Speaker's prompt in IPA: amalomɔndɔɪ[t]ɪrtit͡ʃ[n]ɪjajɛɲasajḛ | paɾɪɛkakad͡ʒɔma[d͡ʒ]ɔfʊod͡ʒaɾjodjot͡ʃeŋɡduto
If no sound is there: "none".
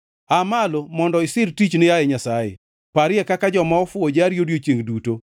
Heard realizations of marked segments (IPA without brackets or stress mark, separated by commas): s, n, none